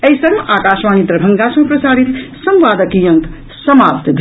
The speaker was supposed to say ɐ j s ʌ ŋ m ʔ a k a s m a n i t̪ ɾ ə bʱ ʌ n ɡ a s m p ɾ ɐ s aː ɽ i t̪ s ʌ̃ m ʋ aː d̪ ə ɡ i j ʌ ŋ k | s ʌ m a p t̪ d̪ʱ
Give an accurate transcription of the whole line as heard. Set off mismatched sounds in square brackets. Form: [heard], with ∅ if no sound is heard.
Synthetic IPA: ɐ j s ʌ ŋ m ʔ a k a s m a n i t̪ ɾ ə bʱ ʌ [ŋ] ɡ a s m p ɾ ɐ s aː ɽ i t̪ s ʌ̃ m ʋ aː d̪ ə [k] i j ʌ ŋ k | s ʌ m a p t̪ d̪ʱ